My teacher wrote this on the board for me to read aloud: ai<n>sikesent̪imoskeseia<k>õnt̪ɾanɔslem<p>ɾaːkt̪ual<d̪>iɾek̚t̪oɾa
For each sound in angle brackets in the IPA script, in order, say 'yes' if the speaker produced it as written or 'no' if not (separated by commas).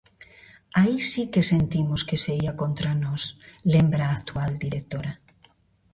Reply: no, yes, no, yes